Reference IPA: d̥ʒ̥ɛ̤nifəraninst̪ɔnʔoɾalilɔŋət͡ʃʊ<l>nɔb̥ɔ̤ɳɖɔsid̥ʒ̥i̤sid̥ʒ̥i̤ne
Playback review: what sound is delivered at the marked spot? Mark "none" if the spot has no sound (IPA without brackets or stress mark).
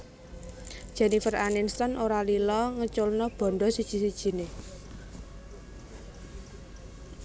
l